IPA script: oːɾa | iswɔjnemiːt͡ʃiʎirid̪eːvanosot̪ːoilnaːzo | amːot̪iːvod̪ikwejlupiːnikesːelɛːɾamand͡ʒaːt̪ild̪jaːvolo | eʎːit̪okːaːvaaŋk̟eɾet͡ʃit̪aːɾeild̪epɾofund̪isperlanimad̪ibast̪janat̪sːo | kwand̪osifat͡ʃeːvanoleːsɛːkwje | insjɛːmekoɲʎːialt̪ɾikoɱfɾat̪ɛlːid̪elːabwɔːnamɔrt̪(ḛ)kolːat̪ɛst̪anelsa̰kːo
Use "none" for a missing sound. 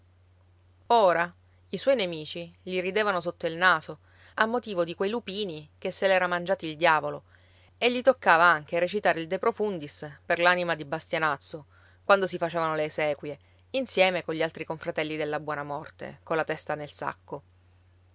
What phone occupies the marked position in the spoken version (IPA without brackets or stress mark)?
ḛ